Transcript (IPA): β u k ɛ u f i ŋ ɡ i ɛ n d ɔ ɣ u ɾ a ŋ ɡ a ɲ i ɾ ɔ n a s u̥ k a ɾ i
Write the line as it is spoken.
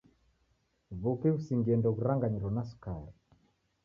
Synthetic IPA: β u k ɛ u s i ŋ ɡ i ɛ n d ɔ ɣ u ɾ a ŋ ɡ a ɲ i ɾ ɔ n a s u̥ k a ɾ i